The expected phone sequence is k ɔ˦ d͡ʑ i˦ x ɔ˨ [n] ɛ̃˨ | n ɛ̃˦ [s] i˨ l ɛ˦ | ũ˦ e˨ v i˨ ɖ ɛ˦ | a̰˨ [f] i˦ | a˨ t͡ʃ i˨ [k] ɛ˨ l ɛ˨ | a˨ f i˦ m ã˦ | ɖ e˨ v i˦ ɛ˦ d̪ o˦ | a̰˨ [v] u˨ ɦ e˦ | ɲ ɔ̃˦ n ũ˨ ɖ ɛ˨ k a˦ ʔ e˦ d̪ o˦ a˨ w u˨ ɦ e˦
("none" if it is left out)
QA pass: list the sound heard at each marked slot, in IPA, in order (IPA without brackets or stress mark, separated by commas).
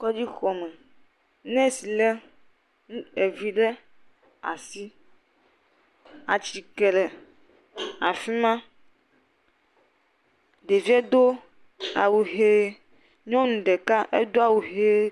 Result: m, s, s, k, w